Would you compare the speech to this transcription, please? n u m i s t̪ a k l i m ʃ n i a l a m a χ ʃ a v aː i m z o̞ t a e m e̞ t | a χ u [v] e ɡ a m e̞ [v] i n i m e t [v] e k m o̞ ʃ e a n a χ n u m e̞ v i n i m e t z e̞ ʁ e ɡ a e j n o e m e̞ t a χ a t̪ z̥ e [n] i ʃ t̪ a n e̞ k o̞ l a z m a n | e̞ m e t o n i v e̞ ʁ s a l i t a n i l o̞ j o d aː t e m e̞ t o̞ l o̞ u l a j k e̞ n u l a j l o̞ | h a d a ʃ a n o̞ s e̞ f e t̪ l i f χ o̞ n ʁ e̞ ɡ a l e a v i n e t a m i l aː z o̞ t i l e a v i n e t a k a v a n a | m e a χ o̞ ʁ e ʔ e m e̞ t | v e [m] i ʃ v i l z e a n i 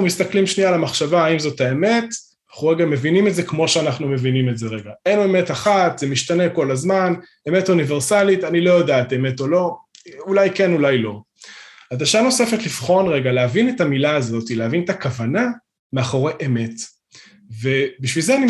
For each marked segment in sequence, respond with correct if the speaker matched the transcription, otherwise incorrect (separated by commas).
incorrect, correct, incorrect, incorrect, incorrect